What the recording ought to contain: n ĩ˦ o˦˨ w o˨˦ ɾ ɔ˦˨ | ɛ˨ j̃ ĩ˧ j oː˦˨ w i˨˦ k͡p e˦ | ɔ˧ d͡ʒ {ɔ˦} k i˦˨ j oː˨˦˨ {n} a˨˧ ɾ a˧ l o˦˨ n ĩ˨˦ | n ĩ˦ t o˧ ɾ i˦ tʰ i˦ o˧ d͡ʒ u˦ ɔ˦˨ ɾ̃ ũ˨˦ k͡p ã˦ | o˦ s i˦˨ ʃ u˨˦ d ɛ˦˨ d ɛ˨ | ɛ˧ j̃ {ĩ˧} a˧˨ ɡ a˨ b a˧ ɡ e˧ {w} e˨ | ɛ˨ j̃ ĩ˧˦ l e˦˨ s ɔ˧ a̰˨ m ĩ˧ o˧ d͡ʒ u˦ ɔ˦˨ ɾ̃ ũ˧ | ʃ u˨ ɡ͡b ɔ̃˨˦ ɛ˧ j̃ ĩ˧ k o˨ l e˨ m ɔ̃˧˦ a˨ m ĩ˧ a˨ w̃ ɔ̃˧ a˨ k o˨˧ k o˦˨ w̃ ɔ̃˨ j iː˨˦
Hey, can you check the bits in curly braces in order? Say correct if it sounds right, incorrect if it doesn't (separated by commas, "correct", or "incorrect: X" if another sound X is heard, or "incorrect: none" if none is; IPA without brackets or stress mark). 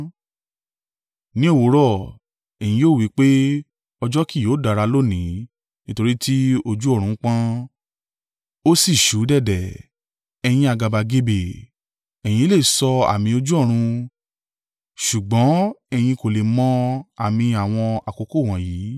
correct, incorrect: d, correct, incorrect: b